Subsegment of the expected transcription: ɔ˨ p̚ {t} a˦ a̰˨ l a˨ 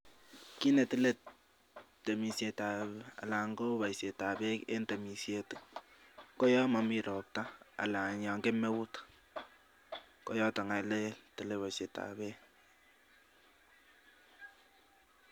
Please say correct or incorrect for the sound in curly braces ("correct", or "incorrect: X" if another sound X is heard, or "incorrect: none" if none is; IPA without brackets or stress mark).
correct